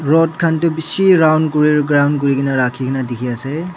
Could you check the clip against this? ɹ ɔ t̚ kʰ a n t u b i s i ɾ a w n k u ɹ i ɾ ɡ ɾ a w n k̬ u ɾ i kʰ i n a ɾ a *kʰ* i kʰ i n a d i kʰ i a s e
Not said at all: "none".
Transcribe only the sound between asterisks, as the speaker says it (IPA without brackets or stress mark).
kʰ